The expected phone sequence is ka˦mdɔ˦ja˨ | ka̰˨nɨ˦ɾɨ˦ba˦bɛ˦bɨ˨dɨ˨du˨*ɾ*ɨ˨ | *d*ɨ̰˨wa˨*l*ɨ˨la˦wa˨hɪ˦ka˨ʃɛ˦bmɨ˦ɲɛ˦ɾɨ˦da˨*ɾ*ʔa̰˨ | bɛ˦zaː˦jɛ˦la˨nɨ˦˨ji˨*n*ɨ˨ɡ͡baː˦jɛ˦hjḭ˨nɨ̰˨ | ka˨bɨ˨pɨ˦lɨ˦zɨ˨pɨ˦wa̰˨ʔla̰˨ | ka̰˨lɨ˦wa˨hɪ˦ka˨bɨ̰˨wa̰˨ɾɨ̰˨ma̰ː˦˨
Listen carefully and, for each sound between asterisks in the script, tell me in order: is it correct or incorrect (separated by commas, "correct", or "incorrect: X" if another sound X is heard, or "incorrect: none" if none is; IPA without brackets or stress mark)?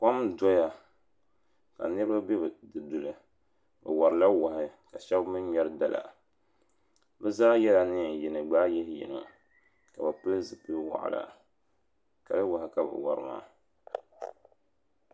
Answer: incorrect: l, incorrect: b, incorrect: ɾ, incorrect: l, correct